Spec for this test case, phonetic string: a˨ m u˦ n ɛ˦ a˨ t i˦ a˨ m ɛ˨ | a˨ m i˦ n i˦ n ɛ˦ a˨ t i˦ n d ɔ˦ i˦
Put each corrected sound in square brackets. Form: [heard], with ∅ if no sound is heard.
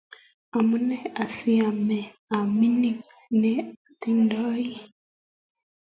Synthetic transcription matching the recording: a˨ m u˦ n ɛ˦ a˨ [s] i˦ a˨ m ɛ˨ | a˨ m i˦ n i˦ n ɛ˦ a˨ t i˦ n d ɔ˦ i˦